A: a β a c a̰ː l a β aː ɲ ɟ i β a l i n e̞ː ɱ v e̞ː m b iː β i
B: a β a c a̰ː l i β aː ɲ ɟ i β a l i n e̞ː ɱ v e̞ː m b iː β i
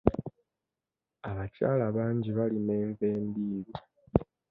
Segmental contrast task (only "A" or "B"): A